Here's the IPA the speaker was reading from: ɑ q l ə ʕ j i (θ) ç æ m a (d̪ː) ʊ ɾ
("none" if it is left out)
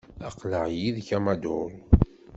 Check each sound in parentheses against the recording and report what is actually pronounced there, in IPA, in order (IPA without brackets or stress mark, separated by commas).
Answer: ð, d̪